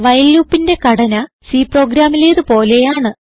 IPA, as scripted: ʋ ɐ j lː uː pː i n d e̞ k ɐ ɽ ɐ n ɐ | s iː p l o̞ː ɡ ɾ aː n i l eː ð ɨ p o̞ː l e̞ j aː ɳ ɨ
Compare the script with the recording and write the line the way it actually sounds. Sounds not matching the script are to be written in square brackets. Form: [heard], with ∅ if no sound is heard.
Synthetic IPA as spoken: ʋ ɐ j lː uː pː i n d e̞ k ɐ ɽ ɐ n ɐ | s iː p [r] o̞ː ɡ ɾ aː [m] i l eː ð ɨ p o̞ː l e̞ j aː ɳ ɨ